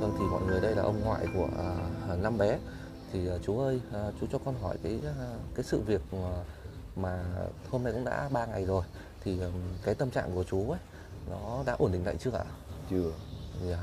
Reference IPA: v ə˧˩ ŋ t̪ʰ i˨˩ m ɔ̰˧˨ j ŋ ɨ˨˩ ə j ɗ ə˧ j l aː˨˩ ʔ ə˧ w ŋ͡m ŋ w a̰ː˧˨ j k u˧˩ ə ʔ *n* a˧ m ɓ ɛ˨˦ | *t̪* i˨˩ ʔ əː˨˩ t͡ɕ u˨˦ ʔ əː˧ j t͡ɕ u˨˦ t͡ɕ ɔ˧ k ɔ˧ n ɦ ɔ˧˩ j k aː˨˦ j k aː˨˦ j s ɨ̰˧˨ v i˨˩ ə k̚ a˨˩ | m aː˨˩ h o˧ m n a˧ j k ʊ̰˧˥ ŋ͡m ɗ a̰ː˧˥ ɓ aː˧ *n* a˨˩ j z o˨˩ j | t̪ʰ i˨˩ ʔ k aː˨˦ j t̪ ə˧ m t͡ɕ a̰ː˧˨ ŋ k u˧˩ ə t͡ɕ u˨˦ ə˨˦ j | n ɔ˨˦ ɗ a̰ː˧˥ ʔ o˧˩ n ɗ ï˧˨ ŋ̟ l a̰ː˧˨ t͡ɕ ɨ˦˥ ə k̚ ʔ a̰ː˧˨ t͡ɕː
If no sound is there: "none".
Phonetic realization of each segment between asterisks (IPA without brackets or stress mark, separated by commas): n, t̪ʰ, ŋ